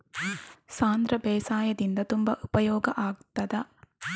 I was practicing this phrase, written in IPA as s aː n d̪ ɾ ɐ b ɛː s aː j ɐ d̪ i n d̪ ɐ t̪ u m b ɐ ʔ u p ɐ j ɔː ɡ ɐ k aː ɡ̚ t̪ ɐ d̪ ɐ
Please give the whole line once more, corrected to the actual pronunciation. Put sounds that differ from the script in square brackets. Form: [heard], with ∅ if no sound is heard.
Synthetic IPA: s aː n d̪ ɾ ɐ b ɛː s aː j ɐ d̪ i n d̪ ɐ t̪ u m b ɐ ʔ u p ɐ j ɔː ɡ ɐ [ʔ] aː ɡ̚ t̪ ɐ d̪ ɐ